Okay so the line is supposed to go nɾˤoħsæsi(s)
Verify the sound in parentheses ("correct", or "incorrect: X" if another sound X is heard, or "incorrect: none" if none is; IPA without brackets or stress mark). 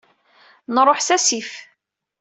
incorrect: f